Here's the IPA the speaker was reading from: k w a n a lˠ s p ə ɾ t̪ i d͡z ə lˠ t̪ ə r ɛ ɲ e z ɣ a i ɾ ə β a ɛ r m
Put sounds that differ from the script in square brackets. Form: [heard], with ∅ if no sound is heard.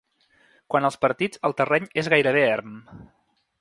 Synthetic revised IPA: k w a n [ə] lˠ s p ə ɾ t̪ i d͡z ə lˠ t̪ ə r ɛ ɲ e z ɣ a [j] ɾ ə β [e] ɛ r m